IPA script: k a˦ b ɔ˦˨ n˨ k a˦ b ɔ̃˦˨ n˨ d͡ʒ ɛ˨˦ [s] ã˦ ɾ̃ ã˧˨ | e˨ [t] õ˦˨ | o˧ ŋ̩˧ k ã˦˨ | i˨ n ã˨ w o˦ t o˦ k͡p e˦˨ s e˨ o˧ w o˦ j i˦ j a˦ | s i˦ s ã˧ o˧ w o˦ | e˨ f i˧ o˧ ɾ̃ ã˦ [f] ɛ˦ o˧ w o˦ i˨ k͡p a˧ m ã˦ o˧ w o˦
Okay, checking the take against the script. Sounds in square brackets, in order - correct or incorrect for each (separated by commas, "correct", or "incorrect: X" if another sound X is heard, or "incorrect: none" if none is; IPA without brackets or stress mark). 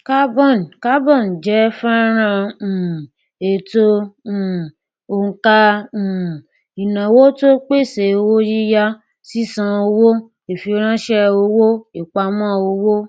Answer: incorrect: f, correct, incorrect: ʃ